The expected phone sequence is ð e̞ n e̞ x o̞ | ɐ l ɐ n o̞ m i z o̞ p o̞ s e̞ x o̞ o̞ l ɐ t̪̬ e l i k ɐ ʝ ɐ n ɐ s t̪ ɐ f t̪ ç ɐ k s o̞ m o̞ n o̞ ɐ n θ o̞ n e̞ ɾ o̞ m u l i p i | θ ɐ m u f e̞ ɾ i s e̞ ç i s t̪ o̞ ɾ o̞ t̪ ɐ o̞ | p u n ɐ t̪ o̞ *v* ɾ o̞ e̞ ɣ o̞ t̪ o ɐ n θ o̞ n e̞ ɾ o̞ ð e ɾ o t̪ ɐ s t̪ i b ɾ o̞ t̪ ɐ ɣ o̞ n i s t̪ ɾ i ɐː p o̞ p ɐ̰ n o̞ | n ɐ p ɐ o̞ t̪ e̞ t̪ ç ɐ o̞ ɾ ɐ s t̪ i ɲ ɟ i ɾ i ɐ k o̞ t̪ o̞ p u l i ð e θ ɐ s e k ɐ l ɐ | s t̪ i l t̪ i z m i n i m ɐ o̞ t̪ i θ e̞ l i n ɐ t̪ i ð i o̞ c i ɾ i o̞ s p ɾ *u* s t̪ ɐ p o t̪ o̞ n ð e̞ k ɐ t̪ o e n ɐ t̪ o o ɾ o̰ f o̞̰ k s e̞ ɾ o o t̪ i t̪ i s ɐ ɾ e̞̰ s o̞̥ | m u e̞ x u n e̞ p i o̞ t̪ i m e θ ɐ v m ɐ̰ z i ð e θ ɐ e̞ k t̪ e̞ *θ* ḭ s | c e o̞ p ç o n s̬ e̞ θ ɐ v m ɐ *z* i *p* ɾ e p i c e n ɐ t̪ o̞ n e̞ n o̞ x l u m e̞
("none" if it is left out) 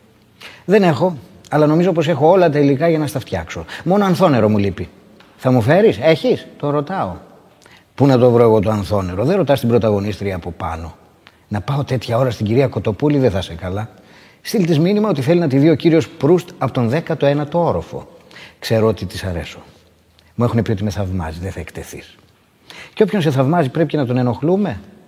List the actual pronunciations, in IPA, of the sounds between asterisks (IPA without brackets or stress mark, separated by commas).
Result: v, u, θ, z, p